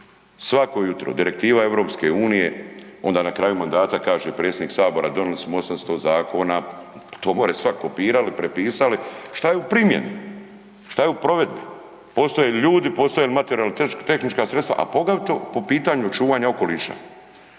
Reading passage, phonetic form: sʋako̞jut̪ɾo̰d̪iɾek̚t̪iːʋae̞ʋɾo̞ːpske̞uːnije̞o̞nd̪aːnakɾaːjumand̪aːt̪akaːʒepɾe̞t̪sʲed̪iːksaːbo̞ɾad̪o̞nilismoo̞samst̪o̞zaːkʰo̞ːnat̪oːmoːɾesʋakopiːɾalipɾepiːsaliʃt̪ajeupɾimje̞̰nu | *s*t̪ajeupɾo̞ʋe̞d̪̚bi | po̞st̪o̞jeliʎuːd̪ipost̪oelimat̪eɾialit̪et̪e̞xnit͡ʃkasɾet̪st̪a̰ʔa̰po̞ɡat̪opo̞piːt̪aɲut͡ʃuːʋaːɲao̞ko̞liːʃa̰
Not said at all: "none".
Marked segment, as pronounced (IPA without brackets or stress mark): ʃ